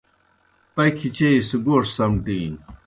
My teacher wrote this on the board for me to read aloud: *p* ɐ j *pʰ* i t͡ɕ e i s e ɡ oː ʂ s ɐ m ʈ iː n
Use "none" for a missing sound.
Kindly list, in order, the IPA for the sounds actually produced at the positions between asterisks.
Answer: p, kʰ

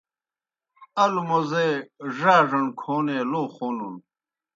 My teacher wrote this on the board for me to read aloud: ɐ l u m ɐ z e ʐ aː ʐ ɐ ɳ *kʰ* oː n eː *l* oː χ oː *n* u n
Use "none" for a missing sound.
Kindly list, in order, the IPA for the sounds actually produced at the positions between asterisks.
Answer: kʰ, l, n

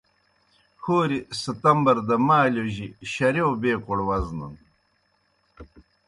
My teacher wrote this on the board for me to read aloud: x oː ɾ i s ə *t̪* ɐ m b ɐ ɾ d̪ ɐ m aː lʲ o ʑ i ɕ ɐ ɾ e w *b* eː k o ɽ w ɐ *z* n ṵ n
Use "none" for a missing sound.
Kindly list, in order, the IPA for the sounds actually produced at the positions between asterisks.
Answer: t̪, b, z

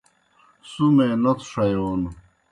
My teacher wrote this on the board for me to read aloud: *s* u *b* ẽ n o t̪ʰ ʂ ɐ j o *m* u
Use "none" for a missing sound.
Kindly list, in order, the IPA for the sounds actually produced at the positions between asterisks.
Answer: s, m, n

